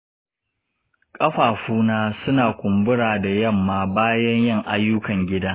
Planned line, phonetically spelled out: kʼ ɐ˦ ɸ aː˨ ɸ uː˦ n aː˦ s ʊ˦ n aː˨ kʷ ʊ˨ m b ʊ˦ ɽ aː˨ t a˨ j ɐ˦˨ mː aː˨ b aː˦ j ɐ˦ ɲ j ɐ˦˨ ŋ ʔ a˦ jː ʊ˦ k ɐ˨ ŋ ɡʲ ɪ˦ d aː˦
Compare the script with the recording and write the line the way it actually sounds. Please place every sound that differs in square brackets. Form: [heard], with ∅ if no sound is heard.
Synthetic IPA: kʼ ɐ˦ ɸ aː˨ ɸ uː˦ n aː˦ s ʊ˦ n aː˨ kʷ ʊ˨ m b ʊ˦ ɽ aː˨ [d] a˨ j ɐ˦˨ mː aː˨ b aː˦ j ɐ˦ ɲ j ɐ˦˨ ŋ ʔ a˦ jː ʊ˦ k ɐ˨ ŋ ɡʲ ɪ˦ d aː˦